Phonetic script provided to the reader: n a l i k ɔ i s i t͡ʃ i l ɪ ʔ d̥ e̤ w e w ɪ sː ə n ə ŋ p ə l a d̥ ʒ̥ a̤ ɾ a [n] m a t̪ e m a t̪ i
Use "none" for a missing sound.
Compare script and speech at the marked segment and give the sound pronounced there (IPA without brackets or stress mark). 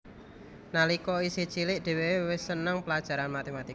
n